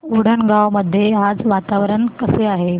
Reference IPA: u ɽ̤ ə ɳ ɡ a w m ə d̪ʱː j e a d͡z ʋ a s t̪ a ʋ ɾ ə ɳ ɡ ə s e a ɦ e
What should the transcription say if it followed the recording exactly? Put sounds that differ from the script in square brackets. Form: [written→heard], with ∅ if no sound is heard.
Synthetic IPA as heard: u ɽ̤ ə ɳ ɡ a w m ə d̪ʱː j e a d͡z ʋ a [s→∅] t̪ a ʋ ɾ ə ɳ [ɡ→k] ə s e a ɦ e